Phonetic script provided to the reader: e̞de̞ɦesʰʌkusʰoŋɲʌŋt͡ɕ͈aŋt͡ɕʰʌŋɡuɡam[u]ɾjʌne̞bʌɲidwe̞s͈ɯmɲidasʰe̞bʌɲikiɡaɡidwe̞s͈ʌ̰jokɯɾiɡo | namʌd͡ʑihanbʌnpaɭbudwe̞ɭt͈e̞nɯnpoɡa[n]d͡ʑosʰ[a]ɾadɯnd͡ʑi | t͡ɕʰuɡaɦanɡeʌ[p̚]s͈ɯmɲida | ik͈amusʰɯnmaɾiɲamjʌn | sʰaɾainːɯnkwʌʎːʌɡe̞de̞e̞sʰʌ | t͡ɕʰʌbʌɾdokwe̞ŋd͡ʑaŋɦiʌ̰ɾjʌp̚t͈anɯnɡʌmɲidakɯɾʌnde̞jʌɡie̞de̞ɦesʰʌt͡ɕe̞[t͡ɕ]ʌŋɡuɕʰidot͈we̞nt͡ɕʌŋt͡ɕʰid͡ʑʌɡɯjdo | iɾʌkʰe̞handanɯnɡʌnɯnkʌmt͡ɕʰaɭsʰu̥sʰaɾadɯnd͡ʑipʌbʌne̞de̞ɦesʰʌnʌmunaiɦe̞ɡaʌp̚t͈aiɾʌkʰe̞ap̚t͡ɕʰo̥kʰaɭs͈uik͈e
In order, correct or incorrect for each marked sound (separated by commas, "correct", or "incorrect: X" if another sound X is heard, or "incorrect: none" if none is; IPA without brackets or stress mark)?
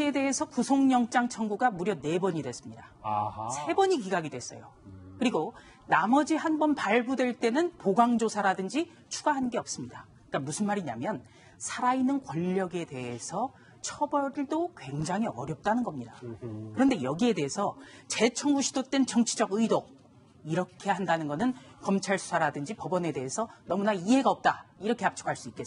correct, incorrect: ŋ, correct, correct, incorrect: t͡ɕʰ